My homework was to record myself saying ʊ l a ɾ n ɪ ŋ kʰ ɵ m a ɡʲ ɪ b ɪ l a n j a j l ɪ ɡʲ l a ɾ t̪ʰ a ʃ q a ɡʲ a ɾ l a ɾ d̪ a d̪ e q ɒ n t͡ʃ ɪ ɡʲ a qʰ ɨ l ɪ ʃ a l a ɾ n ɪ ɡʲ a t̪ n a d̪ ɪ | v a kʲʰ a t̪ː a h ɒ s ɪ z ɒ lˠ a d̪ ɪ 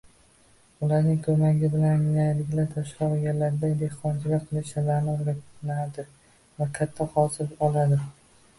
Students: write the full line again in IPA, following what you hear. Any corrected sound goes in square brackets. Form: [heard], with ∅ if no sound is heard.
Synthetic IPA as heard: ʊ l a ɾ n ɪ ŋ kʰ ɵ m a ɡʲ ɪ b ɪ l a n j a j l ɪ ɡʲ l a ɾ t̪ʰ a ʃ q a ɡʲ a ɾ l a ɾ d̪ a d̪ e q ɒ n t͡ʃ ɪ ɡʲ a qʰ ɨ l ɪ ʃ a l a ɾ n ɪ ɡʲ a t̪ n a d̪ ɪ | v a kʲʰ a [t̪ʰː] a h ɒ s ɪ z ɒ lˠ a d̪ ɪ